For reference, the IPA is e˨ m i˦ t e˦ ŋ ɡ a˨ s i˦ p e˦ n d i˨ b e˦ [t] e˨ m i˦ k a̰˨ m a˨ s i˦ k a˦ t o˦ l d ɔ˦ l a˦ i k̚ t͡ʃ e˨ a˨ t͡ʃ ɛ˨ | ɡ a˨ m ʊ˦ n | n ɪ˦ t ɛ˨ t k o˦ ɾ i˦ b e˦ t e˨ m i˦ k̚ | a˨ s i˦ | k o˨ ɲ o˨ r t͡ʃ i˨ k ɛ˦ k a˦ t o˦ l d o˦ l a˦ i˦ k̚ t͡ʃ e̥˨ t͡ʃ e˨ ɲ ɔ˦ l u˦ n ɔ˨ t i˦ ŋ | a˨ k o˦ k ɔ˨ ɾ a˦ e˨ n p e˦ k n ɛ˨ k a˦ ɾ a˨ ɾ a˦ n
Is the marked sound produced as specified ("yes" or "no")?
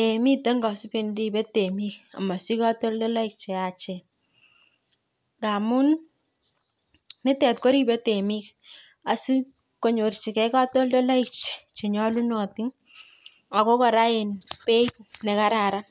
yes